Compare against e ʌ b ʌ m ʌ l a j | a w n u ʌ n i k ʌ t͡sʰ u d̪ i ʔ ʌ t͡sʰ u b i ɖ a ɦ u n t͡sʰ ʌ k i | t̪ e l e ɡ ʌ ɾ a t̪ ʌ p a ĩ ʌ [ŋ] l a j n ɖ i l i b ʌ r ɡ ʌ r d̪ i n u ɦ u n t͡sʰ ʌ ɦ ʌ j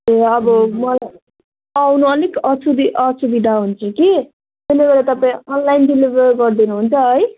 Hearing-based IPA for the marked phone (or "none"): n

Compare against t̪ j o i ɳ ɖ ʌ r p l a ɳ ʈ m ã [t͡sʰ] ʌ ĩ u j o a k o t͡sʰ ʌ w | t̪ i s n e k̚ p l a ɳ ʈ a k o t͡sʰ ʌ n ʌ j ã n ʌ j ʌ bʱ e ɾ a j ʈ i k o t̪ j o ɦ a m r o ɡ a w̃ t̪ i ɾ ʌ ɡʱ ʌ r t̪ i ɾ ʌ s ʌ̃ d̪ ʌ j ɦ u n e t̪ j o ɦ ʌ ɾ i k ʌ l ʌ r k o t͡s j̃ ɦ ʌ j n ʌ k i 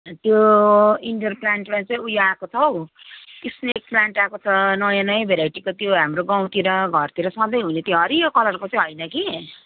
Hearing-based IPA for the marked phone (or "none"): t͡s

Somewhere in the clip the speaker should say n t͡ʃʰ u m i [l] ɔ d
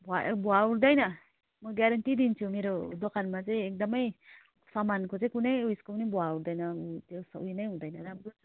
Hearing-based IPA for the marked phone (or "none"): ɾ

